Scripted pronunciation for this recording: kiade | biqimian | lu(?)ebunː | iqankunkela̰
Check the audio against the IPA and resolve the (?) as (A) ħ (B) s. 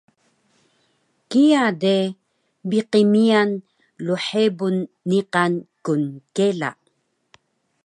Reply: A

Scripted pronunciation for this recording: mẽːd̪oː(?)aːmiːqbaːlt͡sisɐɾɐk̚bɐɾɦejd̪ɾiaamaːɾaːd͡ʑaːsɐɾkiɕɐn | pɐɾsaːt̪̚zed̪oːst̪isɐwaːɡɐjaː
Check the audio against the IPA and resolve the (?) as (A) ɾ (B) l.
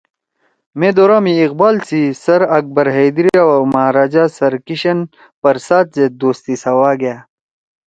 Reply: A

